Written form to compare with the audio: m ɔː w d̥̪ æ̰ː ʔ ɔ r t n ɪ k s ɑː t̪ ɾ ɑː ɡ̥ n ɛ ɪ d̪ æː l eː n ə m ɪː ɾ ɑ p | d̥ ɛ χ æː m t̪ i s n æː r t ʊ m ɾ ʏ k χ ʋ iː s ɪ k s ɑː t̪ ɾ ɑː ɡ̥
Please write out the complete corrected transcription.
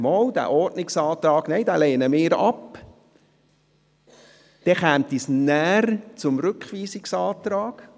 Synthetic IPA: m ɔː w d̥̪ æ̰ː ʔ ɔ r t n ɪ k s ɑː t̪ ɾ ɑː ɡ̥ n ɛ ɪ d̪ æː l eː n ə m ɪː ɾ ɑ p | d̥ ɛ χ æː m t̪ i s n æː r t͡s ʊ m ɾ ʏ k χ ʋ iː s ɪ k s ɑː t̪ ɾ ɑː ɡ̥